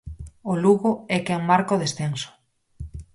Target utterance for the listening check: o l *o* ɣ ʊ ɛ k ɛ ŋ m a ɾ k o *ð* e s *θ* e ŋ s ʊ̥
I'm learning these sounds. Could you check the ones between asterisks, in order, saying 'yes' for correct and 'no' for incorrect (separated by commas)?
no, yes, yes